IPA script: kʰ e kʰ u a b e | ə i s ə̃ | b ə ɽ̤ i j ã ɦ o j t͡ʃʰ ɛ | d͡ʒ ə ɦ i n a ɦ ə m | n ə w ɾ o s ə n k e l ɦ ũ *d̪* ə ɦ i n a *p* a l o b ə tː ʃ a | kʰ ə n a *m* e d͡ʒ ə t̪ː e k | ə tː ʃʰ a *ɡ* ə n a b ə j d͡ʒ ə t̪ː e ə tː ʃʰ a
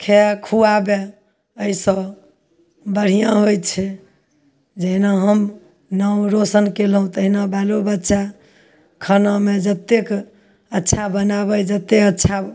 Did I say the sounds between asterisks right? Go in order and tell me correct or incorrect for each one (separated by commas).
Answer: incorrect, incorrect, correct, incorrect